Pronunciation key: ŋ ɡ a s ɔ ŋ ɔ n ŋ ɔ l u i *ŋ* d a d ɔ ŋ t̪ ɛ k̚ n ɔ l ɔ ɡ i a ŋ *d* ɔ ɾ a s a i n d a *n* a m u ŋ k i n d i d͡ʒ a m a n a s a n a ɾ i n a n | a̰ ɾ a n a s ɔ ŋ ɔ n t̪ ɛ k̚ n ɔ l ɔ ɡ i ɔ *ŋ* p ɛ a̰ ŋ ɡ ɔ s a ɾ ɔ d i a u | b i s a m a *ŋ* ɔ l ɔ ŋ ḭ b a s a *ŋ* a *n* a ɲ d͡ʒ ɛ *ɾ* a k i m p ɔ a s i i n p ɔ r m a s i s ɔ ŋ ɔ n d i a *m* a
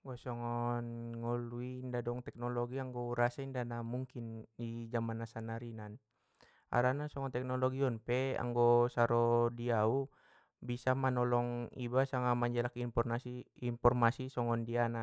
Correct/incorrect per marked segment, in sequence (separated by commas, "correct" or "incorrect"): incorrect, incorrect, correct, incorrect, incorrect, correct, incorrect, incorrect, incorrect